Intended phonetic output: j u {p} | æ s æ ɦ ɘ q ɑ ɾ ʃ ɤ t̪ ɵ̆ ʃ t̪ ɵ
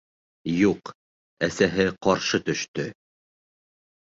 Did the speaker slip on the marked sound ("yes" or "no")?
yes